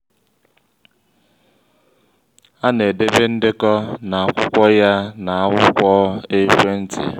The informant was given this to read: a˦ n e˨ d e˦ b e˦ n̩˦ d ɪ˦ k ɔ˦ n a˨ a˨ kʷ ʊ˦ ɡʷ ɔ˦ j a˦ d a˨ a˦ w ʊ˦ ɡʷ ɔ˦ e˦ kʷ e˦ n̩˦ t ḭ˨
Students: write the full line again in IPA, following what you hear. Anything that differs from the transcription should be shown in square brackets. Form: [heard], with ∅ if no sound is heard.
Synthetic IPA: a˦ n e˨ d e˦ b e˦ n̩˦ d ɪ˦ k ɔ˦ n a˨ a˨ kʷ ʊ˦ [kʷ] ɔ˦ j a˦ [n] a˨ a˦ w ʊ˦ [kʷ] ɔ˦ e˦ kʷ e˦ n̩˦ t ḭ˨